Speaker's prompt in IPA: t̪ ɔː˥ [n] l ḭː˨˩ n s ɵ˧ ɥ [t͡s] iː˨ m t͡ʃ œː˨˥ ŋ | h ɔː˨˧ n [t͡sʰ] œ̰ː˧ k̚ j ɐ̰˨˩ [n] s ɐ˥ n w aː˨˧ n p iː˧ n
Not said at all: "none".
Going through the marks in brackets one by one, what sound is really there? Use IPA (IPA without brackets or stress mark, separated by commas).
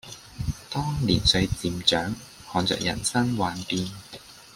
ŋ, t͡s, t͡s, n